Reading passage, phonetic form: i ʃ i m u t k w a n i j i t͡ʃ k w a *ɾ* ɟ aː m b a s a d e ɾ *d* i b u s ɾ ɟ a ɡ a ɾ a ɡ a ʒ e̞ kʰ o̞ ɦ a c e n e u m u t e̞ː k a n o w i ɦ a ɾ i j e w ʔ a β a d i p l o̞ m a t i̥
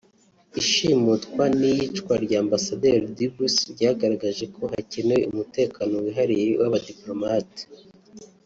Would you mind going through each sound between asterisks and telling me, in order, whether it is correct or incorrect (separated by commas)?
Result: correct, correct